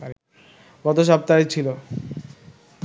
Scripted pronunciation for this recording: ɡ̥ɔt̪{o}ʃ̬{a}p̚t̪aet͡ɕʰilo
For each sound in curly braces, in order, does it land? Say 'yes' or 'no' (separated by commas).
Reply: yes, yes